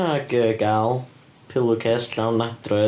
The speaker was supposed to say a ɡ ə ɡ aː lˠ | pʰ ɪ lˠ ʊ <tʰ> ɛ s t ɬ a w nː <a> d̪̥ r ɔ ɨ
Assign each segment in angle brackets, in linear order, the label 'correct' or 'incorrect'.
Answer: incorrect: kʰ, correct

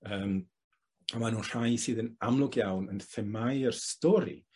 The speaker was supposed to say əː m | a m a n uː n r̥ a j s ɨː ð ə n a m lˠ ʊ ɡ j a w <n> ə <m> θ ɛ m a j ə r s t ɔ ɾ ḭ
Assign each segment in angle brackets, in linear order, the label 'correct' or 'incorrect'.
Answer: correct, incorrect: n

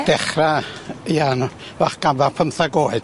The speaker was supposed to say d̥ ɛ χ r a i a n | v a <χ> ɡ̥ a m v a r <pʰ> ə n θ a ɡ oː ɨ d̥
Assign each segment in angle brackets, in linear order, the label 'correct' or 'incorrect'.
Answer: correct, correct

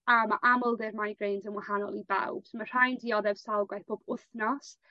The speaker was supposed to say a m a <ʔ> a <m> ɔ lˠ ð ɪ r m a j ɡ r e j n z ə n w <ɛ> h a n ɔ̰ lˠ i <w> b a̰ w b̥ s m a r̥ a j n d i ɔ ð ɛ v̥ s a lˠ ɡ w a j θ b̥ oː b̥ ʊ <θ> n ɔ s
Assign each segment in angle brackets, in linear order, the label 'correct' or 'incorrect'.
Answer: correct, correct, incorrect: a, incorrect: none, correct

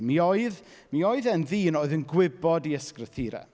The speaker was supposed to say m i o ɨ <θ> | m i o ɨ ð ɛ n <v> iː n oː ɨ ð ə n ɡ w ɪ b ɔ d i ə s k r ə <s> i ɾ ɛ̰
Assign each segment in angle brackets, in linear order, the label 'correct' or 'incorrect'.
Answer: incorrect: ð, incorrect: ð, incorrect: θ

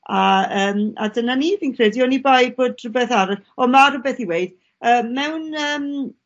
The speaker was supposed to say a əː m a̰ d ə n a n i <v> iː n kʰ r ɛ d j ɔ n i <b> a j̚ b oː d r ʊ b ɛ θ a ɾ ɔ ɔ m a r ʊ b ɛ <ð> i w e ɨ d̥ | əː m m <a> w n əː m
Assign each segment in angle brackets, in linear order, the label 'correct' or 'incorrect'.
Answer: correct, correct, incorrect: θ, incorrect: ɛ

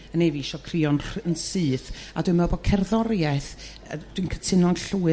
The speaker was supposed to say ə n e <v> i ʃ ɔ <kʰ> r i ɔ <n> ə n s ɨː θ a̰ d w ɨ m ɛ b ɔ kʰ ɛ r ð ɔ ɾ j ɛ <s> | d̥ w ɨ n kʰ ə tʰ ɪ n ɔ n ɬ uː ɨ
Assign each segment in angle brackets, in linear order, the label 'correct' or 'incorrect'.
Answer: correct, correct, correct, incorrect: θ

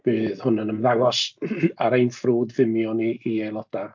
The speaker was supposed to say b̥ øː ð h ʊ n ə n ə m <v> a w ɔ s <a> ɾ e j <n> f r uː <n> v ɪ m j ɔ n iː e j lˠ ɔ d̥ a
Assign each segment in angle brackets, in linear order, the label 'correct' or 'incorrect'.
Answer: incorrect: ð, correct, correct, incorrect: d

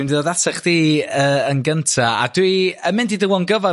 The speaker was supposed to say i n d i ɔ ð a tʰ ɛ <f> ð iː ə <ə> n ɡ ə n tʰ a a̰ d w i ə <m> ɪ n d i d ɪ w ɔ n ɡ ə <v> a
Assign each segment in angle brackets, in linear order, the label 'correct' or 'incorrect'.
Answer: incorrect: χ, correct, correct, correct

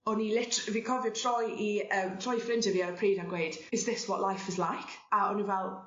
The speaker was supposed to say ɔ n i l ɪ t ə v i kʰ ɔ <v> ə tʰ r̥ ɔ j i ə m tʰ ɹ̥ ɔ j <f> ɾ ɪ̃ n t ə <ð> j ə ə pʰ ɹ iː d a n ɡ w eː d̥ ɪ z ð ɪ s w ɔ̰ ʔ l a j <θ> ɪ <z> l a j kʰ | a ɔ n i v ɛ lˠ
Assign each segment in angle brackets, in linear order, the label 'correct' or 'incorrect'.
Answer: correct, correct, incorrect: v, incorrect: f, correct

